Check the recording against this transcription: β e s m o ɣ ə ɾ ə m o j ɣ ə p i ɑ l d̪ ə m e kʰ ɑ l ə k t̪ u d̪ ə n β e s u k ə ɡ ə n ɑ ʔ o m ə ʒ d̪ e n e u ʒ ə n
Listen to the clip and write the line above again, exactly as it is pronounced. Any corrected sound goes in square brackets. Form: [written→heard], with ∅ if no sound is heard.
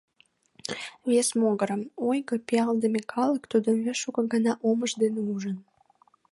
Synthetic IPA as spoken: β e s m o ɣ ə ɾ ə m o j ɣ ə p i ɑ l d̪ ə m e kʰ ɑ l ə k t̪ u d̪ ə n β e [s→ʃ] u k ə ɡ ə n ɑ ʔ o m ə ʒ d̪ e n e u ʒ ə n